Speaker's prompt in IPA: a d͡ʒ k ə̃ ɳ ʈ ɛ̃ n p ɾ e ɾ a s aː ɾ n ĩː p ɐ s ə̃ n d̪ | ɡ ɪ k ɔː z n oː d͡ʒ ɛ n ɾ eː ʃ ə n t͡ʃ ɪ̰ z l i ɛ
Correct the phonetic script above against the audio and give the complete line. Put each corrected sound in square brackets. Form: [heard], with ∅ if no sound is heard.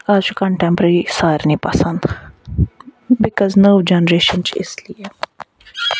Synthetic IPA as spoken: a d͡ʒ k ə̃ ɳ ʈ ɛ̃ [m] p ɾ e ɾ [i] s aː ɾ n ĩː p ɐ s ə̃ n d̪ | [b] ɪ k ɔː z n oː d͡ʒ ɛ n ɾ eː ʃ ə n t͡ʃ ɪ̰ [s] l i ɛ